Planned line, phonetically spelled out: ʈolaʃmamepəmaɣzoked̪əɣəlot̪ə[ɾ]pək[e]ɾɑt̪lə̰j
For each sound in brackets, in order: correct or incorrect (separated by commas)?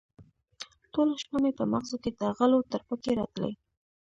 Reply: correct, correct